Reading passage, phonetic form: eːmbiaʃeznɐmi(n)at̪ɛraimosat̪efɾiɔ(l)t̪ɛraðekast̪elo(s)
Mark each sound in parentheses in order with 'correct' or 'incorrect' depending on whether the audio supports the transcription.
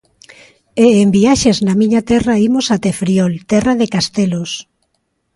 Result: incorrect: ɲ, correct, correct

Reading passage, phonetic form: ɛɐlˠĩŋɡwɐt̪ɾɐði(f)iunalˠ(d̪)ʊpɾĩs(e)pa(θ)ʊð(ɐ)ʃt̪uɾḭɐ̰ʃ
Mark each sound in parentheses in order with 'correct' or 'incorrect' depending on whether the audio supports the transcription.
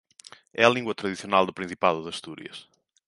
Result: incorrect: s, correct, incorrect: i, incorrect: ð, correct

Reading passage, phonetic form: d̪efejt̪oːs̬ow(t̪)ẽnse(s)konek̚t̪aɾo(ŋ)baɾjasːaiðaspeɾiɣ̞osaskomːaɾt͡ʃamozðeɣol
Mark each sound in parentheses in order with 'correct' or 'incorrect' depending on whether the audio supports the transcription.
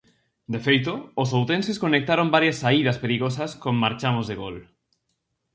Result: correct, correct, incorrect: m

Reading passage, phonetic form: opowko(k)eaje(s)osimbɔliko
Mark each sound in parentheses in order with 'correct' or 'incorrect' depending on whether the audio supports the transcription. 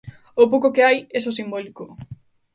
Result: correct, correct

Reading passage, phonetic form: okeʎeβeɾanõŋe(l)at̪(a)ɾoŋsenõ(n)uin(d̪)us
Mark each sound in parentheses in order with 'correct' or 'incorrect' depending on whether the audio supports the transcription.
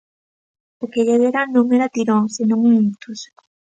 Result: incorrect: ɾ, incorrect: i, incorrect: ŋ, incorrect: t̪

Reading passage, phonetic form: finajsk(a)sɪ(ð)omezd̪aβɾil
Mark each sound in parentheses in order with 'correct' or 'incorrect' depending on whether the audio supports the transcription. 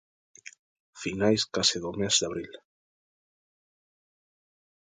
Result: correct, correct

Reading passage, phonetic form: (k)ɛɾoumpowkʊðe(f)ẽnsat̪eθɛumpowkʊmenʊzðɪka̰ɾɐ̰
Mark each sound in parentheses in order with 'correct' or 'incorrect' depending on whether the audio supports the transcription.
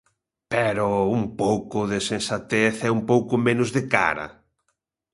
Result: incorrect: p, incorrect: s

